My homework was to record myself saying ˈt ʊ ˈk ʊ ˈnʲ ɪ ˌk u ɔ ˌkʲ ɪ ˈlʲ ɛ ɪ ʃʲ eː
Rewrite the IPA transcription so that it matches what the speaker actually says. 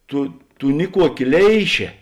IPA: ˈt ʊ ˈt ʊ ˈnʲ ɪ ˌk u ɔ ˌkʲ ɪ ˈlʲ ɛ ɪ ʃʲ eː